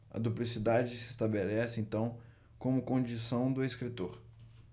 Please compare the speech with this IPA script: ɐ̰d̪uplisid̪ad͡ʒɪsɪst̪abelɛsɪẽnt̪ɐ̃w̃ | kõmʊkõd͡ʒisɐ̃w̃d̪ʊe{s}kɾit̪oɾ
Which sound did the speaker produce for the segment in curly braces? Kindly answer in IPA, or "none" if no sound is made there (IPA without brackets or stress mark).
s